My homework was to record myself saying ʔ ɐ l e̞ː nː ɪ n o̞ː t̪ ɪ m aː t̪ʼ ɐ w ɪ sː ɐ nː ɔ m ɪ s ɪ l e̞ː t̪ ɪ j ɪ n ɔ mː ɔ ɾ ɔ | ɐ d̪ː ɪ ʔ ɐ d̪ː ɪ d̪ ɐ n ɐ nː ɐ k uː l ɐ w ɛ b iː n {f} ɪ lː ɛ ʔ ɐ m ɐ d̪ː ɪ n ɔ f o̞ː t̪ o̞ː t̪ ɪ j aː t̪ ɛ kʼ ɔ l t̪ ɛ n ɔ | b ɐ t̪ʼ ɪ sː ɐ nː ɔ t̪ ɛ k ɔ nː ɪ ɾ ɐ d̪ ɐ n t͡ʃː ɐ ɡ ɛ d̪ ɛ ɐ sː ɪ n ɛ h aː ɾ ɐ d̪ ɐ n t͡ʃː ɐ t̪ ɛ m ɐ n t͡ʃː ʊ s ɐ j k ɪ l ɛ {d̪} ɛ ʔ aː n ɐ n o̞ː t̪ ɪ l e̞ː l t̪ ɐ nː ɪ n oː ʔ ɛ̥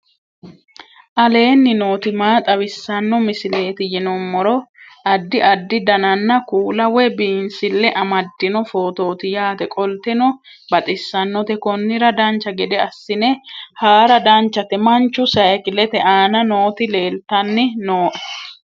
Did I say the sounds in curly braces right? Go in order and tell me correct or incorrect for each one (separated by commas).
incorrect, incorrect